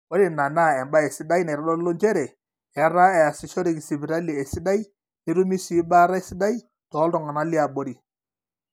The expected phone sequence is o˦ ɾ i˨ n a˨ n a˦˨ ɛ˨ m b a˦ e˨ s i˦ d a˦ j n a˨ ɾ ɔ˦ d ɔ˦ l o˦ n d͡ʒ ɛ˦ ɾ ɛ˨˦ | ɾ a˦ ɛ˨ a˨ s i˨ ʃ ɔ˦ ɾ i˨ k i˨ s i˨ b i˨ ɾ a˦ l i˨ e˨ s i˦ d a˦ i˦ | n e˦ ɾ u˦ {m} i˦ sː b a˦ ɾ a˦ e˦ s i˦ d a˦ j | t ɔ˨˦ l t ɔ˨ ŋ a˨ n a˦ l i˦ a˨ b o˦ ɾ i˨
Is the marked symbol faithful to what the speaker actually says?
yes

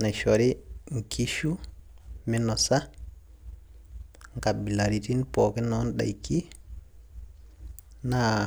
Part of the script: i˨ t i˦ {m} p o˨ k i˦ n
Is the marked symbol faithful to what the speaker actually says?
no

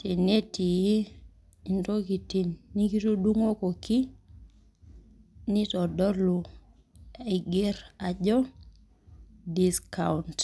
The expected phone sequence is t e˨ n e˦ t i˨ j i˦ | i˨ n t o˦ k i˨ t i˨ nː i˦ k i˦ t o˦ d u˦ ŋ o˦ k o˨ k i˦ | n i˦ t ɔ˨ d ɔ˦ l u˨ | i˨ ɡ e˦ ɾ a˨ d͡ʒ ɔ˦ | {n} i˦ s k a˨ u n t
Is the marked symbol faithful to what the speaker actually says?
no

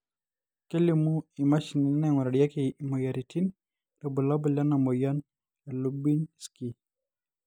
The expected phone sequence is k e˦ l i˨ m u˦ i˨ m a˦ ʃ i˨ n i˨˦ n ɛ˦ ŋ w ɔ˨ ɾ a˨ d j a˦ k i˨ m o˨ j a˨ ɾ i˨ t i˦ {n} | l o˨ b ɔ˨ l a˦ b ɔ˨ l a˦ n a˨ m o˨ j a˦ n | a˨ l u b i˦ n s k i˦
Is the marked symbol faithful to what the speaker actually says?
yes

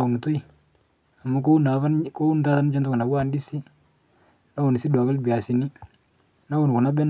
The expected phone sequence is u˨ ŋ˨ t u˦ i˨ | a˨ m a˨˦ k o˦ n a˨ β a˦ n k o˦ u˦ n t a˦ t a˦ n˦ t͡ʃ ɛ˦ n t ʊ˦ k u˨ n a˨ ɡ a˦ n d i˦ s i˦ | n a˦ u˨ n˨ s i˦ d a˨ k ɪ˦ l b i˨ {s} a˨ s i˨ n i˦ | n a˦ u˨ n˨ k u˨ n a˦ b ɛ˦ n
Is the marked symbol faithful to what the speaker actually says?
no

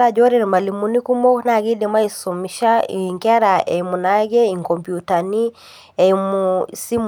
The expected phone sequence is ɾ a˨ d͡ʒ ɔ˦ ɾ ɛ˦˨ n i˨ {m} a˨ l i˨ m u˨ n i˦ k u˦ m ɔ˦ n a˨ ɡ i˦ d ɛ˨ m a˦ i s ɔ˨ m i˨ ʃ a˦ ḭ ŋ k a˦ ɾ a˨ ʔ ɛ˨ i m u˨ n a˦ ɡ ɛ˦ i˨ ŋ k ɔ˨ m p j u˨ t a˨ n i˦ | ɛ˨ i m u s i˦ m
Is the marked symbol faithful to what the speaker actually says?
yes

